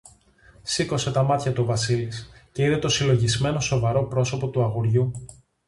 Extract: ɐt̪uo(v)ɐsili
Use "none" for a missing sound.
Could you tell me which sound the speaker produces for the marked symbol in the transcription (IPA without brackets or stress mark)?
v